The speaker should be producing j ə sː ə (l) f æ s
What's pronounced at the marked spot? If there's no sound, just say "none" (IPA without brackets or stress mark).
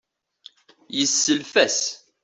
l